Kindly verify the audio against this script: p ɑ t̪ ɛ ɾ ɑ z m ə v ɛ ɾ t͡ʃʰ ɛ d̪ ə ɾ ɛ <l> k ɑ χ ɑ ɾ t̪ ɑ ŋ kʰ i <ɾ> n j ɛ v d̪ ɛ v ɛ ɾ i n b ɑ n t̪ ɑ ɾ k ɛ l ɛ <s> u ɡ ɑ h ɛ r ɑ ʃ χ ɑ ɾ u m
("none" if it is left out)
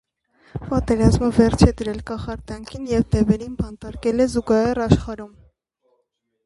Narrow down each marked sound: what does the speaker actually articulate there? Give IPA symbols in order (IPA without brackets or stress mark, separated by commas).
l, none, z